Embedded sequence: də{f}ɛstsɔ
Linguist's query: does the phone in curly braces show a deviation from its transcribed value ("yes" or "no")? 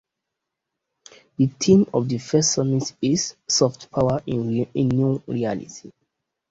no